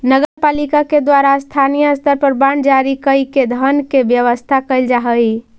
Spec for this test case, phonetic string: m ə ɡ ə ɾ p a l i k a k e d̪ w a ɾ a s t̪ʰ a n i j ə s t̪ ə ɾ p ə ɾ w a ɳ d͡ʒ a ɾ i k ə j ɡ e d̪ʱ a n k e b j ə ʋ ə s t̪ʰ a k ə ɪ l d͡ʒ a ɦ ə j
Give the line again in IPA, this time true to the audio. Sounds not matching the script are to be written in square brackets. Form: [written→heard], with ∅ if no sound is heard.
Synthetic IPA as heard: [m→n] ə ɡ ə ɾ p a l i k a k e d̪ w a ɾ a s t̪ʰ a n i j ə s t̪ ə ɾ p ə ɾ [w→b] a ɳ d͡ʒ a ɾ i k ə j [ɡ→k] e d̪ʱ [a→ə] n k e b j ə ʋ ə s t̪ʰ a k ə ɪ l d͡ʒ a ɦ ə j